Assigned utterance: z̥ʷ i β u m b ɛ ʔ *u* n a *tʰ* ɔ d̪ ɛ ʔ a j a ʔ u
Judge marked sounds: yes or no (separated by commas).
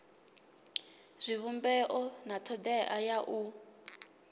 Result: no, yes